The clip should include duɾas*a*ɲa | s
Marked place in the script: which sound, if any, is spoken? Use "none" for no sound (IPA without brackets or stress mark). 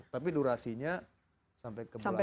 i